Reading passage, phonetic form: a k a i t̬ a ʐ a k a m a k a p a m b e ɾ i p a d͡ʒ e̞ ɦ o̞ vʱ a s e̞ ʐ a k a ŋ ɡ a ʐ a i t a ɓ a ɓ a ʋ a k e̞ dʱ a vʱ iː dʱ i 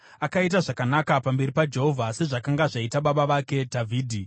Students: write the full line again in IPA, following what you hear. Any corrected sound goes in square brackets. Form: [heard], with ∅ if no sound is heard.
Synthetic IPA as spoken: a k a i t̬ a ʐ a k a [n] a k a p a m b e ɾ i p a d͡ʒ e̞ ɦ o̞ vʱ a s e̞ ʐ a k a ŋ ɡ a ʐ a i t a ɓ a ɓ a ʋ a k e̞ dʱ a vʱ iː dʱ i